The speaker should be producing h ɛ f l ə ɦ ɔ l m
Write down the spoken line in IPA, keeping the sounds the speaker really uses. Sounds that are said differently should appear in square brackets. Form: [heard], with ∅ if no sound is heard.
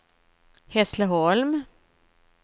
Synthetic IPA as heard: h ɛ [s] l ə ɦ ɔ l m